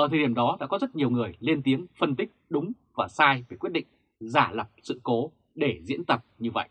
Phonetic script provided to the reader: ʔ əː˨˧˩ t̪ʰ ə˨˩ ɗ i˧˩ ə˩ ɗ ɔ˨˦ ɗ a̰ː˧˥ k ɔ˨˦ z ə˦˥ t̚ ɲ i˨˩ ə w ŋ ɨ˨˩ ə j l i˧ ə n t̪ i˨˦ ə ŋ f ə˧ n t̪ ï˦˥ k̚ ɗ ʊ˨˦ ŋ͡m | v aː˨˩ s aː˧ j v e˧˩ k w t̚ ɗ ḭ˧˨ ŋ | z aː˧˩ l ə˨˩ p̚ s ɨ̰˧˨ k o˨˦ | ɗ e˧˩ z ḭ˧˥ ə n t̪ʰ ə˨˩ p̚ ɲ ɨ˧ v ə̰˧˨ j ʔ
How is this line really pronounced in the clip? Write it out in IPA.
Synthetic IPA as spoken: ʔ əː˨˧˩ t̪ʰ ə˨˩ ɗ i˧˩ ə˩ ɗ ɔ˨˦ ɗ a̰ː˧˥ k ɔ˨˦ z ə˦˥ t̚ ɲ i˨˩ ə w ŋ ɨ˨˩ ə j l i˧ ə n t̪ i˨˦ ə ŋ f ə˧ n t̪ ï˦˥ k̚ ɗ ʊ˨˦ ŋ͡m | v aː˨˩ s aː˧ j v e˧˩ k w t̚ ɗ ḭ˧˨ ŋ | z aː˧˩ l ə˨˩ p̚ s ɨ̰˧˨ k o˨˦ | ɗ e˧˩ z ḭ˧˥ ə n t̪ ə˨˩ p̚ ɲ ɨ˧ v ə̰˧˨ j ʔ

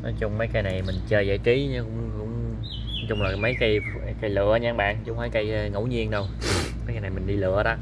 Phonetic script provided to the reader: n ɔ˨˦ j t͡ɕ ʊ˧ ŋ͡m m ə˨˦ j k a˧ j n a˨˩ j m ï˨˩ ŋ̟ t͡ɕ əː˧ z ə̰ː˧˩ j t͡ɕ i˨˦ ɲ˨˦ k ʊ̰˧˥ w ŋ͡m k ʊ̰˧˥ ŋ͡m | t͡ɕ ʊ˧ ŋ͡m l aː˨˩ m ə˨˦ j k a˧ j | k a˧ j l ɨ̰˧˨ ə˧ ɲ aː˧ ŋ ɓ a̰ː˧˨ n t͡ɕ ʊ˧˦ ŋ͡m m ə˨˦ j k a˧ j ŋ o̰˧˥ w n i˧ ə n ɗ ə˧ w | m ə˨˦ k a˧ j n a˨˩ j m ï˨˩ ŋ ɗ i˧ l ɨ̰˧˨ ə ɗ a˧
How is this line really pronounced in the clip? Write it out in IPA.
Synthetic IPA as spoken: n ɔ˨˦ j t͡ɕ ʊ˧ ŋ͡m m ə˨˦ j k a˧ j n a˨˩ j m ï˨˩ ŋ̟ t͡ɕ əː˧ z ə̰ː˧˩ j t͡ɕ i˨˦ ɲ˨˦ k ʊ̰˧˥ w ŋ͡m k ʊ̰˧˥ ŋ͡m | t͡ɕ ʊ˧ ŋ͡m l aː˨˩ m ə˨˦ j k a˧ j | k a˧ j l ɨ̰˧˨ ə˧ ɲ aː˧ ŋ ɓ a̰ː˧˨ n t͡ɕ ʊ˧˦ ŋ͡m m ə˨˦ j k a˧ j ŋ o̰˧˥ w ɲ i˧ ə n ɗ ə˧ w | m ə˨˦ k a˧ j n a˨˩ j m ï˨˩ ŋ ɗ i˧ l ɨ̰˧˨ ə ɗ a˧

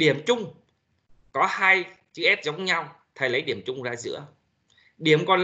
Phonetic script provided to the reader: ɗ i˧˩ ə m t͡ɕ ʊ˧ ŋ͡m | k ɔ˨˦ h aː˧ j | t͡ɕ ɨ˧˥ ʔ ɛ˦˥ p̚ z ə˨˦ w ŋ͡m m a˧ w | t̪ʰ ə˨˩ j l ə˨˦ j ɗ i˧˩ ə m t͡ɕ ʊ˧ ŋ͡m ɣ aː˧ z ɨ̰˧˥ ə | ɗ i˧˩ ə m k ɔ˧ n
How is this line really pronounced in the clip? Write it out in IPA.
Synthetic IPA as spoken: ɗ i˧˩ ə m t͡ɕ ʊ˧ ŋ͡m | k ɔ˨˦ h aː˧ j | t͡ɕ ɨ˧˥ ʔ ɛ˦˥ p̚ z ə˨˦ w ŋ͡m ɲ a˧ w | t̪ʰ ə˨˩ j l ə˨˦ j ɗ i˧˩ ə m t͡ɕ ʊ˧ ŋ͡m z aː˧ z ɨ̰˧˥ ə | ɗ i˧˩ ə m k ɔ˨˩ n

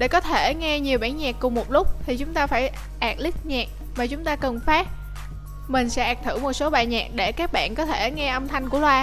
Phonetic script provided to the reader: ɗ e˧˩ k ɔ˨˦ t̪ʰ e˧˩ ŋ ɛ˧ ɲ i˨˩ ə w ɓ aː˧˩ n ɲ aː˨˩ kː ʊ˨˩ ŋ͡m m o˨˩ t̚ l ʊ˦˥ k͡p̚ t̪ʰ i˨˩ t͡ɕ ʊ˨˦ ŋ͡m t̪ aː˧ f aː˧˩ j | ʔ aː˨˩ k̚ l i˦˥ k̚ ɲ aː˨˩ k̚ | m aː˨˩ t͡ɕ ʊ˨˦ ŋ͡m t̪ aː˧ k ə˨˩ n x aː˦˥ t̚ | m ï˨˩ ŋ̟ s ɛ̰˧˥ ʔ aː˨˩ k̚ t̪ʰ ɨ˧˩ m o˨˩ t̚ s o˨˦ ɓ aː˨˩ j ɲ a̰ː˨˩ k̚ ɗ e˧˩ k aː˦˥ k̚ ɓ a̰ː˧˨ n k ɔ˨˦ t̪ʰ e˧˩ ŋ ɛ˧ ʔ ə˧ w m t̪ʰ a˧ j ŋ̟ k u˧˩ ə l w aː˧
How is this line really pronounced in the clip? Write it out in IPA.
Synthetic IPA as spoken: ɗ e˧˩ k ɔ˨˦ t̪ʰ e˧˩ ŋ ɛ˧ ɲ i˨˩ ə w ɓ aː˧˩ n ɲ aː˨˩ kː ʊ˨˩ ŋ͡m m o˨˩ t̚ l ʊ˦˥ k͡p̚ t̪ʰ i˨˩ t͡ɕ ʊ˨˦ ŋ͡m t̪ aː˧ f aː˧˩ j | ʔ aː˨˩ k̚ l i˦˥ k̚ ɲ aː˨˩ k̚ | m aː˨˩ t͡ɕ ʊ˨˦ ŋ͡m t̪ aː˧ k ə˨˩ n f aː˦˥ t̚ | m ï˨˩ ŋ̟ s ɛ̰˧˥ ʔ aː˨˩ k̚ t̪ʰ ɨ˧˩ m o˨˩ t̚ s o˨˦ ɓ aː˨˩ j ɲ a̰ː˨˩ k̚ ɗ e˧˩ k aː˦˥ k̚ ɓ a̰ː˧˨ n k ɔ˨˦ t̪ʰ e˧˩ ŋ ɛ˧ ʔ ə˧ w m t̪ʰ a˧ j ŋ̟ k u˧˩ ə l w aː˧

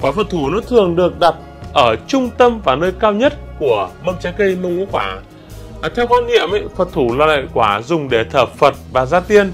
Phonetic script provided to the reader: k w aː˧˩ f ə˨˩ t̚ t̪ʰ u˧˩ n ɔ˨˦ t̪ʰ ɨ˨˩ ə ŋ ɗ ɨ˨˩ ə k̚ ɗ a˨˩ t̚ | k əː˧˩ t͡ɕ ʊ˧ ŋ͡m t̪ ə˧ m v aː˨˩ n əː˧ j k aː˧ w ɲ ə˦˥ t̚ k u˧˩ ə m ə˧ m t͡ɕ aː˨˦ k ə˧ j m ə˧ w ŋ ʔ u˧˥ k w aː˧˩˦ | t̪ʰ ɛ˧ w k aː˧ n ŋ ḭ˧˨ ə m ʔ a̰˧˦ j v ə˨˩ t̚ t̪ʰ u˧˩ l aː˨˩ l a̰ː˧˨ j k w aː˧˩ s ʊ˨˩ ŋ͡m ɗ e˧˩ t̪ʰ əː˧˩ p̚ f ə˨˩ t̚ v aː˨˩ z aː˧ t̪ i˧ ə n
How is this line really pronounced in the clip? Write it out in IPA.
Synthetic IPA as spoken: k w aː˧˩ f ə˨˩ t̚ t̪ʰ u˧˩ n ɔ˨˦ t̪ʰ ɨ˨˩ ə ŋ ɗ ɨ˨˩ ə k̚ ɗ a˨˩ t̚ | ʔ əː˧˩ t͡ɕ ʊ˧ ŋ͡m t̪ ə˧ m v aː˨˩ n əː˧ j k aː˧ w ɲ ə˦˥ t̚ k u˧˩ ə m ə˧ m t͡ɕ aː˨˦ k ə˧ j m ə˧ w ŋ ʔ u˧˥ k w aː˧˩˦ | t̪ʰ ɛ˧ w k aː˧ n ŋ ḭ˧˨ ə m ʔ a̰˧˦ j f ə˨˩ t̚ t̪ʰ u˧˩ l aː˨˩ l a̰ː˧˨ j k w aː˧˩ z ʊ˨˩ ŋ͡m ɗ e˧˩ t̪ʰ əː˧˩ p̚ f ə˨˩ t̚ v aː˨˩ z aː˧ t̪ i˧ ə n

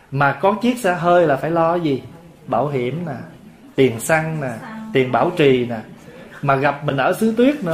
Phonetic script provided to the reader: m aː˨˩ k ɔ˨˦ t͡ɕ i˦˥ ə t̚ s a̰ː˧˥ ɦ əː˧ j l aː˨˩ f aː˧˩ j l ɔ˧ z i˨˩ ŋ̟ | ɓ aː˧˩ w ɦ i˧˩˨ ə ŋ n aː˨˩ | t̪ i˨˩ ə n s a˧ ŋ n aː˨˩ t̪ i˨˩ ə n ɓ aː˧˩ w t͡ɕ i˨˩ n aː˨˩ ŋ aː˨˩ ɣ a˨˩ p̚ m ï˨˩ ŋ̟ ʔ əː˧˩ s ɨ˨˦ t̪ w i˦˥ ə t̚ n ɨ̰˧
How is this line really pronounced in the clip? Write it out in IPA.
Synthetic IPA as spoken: m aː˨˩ k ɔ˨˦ t͡ɕ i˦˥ ə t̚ s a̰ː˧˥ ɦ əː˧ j l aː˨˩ f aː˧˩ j l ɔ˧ z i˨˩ | ɓ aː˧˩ w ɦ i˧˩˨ ə m n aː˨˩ | t̪ i˨˩ ə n s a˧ ŋ n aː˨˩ t̪ i˨˩ ə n ɓ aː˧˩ w t͡ɕ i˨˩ n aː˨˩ m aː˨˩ ɣ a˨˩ p̚ m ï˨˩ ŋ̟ ʔ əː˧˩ s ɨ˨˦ t̪ w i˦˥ ə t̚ n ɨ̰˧

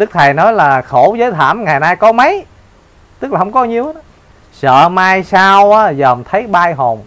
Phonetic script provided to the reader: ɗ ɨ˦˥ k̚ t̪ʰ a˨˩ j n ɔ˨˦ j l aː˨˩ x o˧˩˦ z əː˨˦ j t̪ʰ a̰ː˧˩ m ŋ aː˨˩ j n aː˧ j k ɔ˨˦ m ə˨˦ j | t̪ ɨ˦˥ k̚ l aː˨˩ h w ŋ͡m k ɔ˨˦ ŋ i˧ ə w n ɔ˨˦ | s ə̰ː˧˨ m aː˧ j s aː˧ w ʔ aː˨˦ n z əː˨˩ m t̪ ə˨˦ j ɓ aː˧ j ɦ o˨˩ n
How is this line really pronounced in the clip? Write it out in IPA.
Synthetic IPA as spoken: ɗ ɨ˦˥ k̚ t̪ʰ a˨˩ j n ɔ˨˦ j l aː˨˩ x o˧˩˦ z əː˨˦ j t̪ʰ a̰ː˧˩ m ŋ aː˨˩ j n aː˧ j k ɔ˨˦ m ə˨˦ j | t̪ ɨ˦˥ k̚ l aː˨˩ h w ŋ͡m k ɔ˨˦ ɲ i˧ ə w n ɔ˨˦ | s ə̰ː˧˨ m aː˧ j s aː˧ w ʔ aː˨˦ z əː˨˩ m t̪ʰ ə˨˦ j ɓ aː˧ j ɦ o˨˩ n

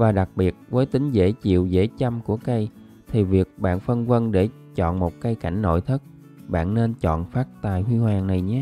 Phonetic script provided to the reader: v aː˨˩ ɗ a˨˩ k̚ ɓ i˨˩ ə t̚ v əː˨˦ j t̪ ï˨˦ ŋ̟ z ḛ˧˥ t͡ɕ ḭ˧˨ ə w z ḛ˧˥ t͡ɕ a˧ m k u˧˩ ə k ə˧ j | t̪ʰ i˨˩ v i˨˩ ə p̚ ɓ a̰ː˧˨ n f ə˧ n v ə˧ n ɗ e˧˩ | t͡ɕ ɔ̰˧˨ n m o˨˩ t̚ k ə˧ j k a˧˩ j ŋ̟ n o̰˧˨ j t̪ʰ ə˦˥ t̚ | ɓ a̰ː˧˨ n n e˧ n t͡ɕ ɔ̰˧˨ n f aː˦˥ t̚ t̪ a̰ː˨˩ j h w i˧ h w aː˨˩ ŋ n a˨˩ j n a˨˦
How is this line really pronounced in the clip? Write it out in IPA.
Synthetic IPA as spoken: v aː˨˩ ɗ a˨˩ k̚ ɓ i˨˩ ə t̚ v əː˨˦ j t̪ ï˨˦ ŋ̟ z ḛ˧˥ t͡ɕ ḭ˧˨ ə w z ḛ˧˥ t͡ɕ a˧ m k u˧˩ ə k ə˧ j | t̪ʰ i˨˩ v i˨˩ ə k̚ ɓ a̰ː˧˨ n f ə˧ n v ə˧ n ɗ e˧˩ | t͡ɕ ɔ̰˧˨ n m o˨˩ t̚ k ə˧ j k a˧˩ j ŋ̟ n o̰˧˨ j t̪ʰ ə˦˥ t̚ | ɓ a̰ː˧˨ n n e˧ n t͡ɕ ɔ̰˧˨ n f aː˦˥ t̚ t̪ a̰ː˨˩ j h w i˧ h w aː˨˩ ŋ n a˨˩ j ɲ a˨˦

